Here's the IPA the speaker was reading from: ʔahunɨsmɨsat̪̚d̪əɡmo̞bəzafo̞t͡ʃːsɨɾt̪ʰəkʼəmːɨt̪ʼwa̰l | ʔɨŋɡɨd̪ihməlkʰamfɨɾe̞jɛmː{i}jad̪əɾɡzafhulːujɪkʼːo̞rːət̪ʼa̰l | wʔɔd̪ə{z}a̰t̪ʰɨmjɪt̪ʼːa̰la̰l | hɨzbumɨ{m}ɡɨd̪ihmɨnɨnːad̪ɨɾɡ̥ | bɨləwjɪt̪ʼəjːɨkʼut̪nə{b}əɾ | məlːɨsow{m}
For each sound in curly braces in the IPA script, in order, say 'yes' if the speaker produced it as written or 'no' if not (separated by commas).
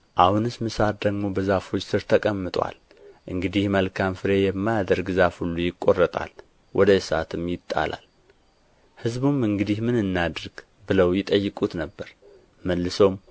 no, no, no, no, yes